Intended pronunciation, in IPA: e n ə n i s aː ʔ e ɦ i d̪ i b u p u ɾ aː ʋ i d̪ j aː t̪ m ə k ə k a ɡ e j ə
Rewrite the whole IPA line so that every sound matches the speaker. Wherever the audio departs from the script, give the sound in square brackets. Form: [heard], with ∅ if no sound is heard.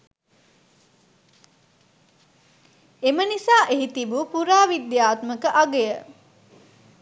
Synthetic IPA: e [m] ə n i s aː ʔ e ɦ i [t̪] i b u p u ɾ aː ʋ i d̪ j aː t̪ m ə k ə [ʔ] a ɡ e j ə